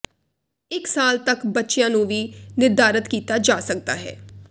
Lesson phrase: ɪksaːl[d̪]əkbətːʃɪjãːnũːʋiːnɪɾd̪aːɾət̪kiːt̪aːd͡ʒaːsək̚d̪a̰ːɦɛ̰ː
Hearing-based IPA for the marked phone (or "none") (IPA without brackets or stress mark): t̪